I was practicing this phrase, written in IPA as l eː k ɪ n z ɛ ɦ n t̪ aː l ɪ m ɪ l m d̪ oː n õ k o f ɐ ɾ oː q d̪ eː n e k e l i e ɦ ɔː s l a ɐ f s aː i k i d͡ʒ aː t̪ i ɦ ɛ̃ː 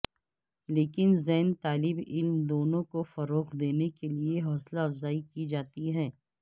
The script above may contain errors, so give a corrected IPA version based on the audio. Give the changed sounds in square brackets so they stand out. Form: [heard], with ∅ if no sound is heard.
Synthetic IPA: l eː k ɪ n z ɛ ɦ n t̪ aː l ɪ [b] ɪ l m d̪ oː n õ k o f ɐ ɾ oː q d̪ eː n e k e l i e ɦ ɔː s l a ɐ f [z] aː i k i d͡ʒ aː t̪ i ɦ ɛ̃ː